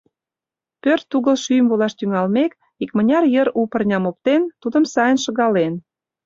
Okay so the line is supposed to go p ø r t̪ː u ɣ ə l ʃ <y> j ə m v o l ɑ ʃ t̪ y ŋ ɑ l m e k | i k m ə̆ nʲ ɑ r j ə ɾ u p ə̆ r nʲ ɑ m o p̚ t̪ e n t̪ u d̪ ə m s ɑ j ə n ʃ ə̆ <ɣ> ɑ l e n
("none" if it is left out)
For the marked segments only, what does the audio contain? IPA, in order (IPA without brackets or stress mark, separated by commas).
y, ɣ